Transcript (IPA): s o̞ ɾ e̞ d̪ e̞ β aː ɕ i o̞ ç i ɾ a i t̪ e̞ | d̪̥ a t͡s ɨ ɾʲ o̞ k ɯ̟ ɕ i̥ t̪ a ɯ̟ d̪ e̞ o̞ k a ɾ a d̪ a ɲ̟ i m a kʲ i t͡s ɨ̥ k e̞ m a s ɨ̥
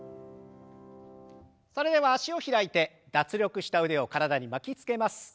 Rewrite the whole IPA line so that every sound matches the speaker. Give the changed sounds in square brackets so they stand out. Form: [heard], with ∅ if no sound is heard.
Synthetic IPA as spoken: s o̞ ɾ e̞ d̪ e̞ β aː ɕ i o̞ ç i ɾ a i t̪ e̞ | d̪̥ a t͡s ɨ ɾʲ o̞ k ɯ̟ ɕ i̥ t̪ a ɯ̟ d̪ e̞ o̞ k a ɾ a d̪ a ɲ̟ i m a kʲ i t͡s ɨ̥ k e̞ m a s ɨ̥